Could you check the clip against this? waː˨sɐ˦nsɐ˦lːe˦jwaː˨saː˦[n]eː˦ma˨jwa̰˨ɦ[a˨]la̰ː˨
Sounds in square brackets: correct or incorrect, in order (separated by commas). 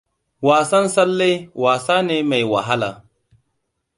correct, incorrect